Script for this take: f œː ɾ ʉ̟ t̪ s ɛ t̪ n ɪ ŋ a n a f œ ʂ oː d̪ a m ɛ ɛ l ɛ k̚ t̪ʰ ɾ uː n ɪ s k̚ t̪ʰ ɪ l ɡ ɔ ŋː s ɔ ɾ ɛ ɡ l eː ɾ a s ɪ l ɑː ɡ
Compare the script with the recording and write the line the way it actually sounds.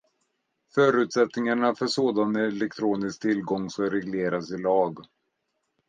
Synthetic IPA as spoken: f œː ɾ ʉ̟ t̪ s ɛ t̪ n ɪ ŋ a ɳ a f œ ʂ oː d̪ a n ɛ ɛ l ɛ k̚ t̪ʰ ɾ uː n ɪ s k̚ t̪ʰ ɪ l ɡ ɔ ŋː s ɔ ɾ ɛ ɡ l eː ɾ a s ɪ l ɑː ɡ